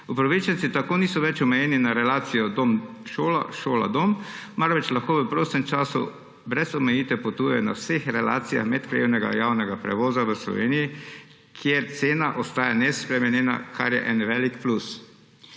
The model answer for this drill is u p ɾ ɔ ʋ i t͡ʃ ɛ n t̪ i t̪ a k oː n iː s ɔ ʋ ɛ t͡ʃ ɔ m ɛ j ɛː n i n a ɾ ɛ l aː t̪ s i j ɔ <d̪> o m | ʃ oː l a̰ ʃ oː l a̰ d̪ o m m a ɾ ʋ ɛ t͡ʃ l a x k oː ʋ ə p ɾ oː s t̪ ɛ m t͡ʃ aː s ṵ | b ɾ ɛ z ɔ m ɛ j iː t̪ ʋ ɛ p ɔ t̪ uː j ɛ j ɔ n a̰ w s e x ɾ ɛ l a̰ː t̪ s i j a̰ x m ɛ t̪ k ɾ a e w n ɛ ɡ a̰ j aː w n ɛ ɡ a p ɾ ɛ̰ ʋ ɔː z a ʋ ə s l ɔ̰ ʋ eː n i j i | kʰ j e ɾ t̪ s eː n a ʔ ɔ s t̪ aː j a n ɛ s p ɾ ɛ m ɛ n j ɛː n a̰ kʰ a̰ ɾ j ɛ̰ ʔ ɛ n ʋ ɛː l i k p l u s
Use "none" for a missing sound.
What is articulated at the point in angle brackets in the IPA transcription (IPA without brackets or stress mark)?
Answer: d̪